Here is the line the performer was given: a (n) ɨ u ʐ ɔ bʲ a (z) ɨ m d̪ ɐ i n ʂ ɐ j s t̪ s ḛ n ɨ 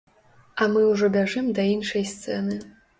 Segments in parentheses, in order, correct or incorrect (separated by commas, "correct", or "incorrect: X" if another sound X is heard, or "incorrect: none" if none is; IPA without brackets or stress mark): incorrect: m, incorrect: ʐ